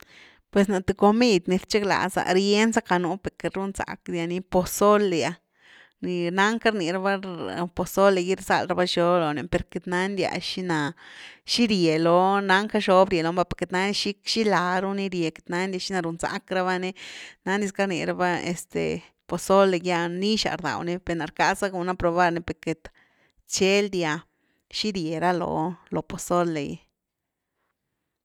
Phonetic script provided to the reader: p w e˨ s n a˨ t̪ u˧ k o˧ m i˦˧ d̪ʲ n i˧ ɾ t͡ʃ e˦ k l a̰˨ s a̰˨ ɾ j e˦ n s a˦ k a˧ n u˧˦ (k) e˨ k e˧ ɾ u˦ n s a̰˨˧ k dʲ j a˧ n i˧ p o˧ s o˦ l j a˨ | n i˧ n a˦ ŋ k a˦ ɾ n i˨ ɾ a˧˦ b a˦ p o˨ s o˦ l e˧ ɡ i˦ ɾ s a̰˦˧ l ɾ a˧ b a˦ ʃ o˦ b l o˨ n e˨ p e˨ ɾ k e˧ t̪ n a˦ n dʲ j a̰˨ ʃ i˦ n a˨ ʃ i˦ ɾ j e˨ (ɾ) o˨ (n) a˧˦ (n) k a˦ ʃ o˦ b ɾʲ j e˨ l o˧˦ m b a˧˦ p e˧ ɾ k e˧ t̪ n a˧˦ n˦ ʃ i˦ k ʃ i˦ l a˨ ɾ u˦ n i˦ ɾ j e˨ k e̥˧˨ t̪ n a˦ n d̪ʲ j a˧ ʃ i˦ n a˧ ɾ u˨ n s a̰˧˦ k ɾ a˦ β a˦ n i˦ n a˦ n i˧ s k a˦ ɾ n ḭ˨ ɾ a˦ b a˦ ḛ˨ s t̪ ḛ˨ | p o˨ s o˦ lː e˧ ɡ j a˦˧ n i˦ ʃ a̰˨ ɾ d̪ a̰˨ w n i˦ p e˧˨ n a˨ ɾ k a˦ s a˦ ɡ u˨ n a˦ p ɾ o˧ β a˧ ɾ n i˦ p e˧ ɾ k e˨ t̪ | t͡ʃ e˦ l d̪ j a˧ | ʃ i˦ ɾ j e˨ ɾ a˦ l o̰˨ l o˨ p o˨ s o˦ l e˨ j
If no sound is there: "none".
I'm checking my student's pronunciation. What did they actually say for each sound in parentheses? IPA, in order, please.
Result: p, l, n, ŋ

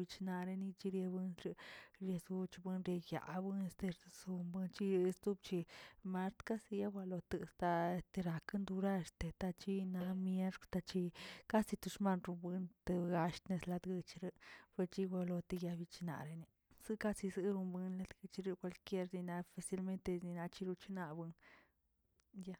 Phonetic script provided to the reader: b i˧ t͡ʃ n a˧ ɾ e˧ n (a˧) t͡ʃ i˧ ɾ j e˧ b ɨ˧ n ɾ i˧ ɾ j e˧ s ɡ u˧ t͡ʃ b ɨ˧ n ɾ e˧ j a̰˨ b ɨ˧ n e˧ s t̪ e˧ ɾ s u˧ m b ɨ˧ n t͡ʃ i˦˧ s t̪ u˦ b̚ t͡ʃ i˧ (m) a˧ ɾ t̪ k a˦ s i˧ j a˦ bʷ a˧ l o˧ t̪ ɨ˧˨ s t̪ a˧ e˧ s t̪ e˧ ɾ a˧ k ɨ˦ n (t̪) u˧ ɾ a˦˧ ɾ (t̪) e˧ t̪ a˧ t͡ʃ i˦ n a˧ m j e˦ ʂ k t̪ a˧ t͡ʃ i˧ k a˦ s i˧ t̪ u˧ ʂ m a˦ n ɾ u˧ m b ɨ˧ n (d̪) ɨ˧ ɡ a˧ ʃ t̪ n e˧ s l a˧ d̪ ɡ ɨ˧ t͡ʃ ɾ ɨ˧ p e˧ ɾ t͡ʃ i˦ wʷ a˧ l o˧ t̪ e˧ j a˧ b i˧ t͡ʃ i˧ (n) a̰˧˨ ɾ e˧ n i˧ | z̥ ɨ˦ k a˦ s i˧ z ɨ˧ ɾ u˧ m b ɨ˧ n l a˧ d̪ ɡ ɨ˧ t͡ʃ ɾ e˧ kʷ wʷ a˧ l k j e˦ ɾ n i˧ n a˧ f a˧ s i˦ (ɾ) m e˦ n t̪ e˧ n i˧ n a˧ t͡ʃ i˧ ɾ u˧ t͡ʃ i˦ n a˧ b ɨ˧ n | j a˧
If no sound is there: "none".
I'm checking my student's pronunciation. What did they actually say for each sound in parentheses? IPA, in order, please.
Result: i˧, m, d̪, t̪, t̪, n, l

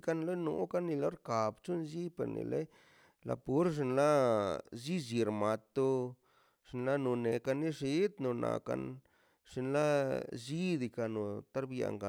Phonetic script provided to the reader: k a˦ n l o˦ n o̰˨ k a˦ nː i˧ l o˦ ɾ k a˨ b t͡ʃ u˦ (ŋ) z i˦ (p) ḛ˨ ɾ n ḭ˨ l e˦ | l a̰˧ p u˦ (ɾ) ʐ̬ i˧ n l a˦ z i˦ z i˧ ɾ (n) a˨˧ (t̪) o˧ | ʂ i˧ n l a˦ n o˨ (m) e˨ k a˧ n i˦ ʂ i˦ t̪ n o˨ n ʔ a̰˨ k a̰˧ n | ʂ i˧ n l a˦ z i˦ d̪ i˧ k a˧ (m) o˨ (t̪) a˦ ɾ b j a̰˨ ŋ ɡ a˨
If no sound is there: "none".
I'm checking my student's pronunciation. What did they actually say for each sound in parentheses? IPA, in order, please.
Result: n, p, ɾ, m, t̪, n, n, t̪

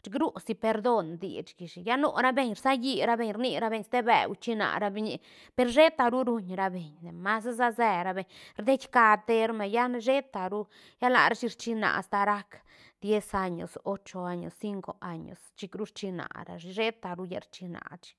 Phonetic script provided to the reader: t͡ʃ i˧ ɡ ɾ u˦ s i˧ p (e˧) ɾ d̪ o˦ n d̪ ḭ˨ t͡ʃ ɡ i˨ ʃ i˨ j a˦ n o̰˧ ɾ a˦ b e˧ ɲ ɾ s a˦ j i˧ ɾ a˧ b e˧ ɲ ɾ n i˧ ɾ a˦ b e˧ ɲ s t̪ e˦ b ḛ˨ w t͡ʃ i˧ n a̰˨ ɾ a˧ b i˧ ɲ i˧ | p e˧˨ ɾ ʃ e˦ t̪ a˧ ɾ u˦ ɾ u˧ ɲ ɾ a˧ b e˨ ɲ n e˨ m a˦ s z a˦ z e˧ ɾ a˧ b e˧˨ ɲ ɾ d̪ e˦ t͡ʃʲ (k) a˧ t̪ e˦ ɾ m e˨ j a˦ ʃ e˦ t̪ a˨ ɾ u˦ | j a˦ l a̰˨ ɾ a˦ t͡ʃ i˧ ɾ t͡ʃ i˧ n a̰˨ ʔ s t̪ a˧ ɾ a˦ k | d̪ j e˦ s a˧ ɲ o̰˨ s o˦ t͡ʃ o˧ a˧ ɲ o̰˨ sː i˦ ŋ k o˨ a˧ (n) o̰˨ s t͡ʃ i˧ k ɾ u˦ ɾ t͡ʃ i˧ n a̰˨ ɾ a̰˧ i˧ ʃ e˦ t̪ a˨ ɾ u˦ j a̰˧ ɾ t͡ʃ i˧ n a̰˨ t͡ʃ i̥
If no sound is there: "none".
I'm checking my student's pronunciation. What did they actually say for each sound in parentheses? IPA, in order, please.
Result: e˧, k, ɲ

